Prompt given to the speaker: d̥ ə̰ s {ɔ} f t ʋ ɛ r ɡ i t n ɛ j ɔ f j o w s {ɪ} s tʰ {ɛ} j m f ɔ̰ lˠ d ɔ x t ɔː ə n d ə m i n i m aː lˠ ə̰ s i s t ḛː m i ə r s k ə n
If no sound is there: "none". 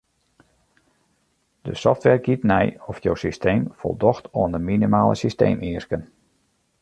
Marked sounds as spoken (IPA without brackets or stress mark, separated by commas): ɔ, i, e